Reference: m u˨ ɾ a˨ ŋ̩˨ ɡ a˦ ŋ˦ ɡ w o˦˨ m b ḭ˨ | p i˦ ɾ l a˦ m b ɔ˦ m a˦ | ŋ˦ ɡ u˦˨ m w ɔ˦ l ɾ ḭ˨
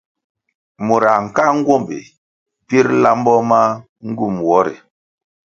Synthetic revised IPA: m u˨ ɾ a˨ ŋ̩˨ k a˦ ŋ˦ ɡ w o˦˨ m b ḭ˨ | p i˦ ɾ l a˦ m b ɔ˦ m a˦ | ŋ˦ ɡ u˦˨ m w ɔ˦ ɾ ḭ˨